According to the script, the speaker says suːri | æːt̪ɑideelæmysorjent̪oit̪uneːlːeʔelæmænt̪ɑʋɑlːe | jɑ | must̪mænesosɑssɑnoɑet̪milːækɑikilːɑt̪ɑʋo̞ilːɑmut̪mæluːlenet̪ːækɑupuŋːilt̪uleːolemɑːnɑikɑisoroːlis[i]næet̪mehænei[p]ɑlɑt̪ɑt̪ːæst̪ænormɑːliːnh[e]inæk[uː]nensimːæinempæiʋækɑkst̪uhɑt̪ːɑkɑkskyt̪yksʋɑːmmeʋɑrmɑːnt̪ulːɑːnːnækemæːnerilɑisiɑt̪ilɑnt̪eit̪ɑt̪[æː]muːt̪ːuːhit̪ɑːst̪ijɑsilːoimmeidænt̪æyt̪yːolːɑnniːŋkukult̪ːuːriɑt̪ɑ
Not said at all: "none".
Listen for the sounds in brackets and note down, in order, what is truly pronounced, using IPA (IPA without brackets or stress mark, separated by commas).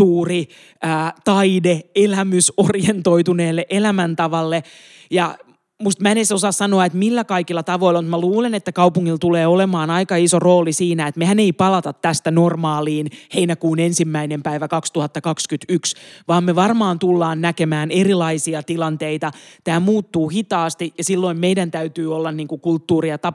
iː, p, e, uː, æː